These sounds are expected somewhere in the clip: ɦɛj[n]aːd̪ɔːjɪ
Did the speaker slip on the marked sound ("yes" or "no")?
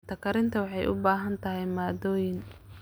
yes